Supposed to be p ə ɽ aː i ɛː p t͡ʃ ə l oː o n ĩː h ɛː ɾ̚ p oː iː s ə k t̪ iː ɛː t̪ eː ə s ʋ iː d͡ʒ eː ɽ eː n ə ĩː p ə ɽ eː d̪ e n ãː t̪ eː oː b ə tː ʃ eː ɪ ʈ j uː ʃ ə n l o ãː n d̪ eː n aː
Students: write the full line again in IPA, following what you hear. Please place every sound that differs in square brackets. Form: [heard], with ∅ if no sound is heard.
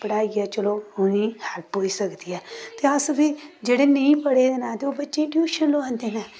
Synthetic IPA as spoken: p ə ɽ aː i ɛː [∅] t͡ʃ ə l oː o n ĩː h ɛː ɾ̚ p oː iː s ə k [d̪] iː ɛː t̪ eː ə s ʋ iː d͡ʒ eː ɽ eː n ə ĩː p ə ɽ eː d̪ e n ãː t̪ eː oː b ə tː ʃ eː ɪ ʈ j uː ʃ ə n l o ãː n d̪ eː n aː